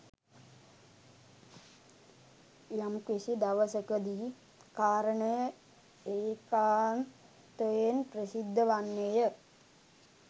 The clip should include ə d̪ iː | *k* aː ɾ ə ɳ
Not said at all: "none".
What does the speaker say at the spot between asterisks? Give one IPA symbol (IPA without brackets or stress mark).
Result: k